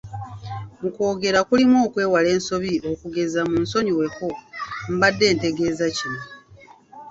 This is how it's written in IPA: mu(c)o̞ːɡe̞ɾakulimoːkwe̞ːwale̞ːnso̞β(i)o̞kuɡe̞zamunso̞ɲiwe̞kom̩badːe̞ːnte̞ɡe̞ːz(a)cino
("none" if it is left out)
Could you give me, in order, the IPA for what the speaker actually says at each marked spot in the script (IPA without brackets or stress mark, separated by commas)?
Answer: k, i, a